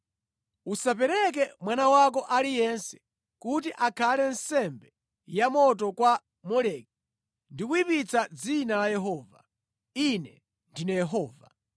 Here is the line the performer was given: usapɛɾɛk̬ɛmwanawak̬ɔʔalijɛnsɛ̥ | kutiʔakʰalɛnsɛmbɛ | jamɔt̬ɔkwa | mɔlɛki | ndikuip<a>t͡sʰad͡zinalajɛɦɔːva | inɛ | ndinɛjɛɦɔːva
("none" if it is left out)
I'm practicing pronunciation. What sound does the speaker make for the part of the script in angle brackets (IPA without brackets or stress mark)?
i